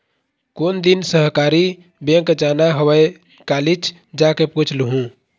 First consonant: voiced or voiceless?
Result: voiceless